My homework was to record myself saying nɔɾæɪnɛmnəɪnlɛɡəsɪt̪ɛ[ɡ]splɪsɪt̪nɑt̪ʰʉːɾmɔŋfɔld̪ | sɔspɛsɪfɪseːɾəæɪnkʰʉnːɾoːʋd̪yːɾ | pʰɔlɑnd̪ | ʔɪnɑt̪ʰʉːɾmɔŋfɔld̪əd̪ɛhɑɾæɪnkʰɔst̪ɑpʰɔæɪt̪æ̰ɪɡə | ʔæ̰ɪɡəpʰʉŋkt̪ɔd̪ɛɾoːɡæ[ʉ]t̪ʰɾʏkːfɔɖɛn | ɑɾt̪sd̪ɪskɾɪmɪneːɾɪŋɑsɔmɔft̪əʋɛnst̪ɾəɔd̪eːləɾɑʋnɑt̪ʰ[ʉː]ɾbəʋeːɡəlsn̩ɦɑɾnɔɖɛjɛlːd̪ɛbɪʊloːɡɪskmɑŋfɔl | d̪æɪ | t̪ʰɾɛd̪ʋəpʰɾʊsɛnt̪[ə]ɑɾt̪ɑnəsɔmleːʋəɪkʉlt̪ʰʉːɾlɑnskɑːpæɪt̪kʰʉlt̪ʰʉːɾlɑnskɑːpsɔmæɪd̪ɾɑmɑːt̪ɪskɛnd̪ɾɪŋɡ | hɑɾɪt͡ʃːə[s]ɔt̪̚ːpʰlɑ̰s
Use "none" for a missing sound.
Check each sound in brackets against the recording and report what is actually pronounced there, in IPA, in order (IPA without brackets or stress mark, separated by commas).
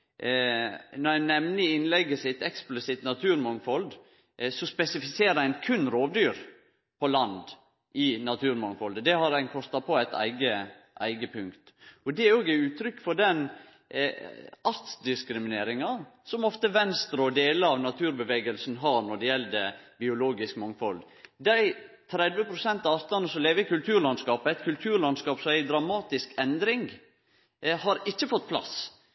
k, ʉː, ʉː, ɑ, f